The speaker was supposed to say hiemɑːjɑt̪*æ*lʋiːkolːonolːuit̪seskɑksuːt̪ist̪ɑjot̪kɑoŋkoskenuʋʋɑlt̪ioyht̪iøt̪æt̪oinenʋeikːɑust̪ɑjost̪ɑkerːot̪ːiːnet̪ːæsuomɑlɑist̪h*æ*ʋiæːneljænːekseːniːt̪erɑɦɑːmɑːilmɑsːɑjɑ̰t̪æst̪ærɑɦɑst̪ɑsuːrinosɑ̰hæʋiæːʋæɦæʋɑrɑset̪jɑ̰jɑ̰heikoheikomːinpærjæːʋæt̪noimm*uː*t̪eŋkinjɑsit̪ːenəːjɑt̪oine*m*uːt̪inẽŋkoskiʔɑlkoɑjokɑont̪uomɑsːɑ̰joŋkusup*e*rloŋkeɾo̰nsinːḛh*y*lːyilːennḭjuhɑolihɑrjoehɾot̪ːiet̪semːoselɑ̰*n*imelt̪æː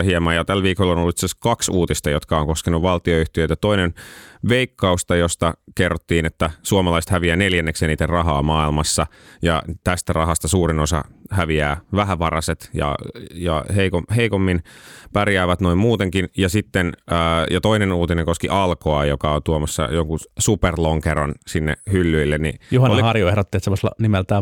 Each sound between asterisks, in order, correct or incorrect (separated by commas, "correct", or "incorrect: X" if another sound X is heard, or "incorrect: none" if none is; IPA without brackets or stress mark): correct, correct, correct, incorrect: n, correct, correct, correct